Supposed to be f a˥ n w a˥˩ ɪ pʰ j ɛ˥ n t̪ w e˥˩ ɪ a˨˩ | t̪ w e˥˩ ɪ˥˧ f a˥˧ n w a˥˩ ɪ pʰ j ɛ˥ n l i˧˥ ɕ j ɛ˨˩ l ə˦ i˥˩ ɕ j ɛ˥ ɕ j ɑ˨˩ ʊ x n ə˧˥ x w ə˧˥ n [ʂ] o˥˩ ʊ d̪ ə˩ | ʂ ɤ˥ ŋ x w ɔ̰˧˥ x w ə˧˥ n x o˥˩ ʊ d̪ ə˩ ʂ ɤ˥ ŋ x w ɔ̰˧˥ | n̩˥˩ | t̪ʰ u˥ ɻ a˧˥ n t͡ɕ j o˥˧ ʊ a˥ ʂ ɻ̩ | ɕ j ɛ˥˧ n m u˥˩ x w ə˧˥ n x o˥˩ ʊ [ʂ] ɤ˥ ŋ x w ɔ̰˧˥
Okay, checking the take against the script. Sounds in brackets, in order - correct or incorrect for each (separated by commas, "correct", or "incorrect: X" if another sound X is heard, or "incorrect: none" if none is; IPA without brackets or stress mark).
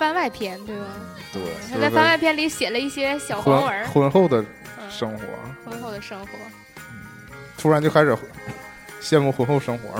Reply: incorrect: x, correct